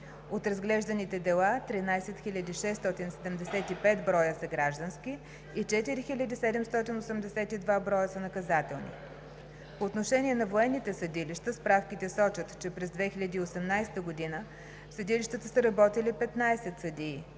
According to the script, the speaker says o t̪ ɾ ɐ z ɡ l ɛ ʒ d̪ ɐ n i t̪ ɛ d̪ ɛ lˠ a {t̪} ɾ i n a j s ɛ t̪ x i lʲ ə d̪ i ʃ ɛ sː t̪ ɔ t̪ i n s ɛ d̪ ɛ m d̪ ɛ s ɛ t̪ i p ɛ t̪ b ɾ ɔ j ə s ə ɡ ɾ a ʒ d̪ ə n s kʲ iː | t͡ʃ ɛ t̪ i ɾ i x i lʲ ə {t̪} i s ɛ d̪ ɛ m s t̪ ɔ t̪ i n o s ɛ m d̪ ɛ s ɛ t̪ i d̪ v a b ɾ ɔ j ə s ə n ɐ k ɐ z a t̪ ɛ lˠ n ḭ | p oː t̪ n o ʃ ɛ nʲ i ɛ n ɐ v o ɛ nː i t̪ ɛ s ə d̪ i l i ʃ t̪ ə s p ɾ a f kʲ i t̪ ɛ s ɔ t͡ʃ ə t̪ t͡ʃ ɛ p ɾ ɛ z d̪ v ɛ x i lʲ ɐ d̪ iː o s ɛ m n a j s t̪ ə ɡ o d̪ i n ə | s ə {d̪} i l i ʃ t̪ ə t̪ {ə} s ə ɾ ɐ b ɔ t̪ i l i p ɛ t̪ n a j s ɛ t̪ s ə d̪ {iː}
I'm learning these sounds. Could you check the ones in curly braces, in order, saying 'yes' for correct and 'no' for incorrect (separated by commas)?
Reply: yes, no, yes, yes, yes